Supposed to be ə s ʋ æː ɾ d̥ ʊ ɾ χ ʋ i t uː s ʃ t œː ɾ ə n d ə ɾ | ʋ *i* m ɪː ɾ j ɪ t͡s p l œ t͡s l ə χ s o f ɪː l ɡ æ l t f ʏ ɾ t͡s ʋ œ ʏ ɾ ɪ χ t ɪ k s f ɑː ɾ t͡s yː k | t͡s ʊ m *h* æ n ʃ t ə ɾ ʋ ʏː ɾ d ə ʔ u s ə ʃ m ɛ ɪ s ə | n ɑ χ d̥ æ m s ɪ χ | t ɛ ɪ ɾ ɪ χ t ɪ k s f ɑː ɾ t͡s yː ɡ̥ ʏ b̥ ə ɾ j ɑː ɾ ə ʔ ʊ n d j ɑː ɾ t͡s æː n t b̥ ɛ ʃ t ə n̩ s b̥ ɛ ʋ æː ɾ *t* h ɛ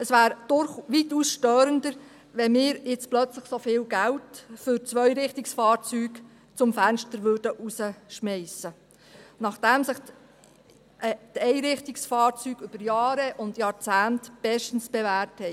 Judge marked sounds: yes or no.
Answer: no, no, yes

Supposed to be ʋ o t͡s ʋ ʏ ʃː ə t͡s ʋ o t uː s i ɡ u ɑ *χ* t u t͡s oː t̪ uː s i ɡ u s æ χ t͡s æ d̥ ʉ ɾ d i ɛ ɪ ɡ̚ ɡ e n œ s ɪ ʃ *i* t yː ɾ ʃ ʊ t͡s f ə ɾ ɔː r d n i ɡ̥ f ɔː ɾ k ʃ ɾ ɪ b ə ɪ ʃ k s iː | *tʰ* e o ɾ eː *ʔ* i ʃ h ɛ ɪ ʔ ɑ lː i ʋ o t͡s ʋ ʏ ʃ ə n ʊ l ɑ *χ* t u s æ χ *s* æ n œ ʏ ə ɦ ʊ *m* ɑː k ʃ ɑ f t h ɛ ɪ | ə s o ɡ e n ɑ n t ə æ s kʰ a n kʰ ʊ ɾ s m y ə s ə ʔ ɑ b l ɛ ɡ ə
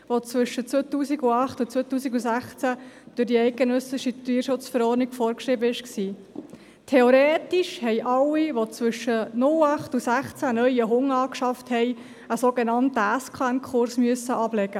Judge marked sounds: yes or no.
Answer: yes, yes, yes, no, yes, no, no

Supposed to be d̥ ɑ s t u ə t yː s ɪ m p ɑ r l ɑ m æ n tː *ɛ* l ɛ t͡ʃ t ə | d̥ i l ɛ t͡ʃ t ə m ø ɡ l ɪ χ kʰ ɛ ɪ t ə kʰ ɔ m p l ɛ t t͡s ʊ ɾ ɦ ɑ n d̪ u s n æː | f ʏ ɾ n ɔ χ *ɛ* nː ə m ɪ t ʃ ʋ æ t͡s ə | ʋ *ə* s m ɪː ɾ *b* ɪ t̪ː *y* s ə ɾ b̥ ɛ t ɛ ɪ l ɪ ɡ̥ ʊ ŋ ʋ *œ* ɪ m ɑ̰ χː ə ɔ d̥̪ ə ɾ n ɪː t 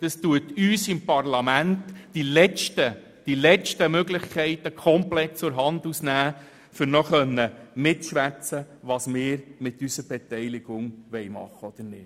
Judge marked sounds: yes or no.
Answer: no, no, no, no, yes, no

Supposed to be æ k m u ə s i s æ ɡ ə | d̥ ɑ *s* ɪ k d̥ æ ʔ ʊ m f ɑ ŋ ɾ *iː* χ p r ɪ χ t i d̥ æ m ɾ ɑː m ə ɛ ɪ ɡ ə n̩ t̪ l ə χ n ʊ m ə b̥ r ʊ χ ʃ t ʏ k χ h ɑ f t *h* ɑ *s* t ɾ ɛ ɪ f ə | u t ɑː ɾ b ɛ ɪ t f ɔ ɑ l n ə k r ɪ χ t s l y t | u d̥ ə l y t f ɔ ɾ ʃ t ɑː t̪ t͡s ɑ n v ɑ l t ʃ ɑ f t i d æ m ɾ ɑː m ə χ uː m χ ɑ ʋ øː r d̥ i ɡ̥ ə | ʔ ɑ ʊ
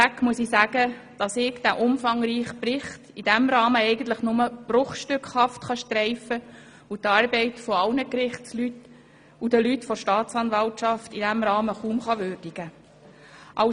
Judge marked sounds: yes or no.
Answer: yes, yes, no, no

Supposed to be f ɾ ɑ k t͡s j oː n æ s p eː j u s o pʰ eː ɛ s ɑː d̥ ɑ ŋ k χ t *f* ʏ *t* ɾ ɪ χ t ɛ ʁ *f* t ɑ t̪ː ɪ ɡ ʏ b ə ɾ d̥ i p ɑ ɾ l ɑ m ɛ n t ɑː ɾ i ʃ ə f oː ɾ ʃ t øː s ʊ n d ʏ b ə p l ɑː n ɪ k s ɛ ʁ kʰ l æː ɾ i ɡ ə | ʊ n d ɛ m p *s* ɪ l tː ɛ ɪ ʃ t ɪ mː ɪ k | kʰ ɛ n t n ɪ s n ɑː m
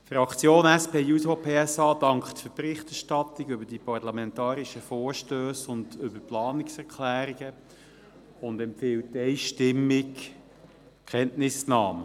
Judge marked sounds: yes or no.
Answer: yes, no, no, no

